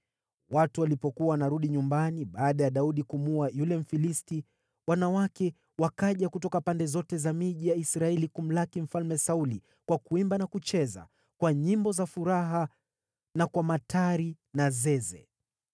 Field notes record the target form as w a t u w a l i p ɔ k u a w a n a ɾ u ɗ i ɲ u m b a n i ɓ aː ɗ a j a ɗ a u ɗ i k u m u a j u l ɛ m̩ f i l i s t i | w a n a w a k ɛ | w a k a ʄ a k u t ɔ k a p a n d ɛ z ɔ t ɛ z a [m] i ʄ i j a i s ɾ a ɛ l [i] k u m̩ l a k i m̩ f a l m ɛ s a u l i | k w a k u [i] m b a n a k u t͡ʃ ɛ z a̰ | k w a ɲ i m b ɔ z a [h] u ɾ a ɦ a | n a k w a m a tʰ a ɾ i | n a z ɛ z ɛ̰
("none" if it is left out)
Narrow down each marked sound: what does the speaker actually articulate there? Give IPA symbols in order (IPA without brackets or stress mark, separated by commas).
m, i, i, f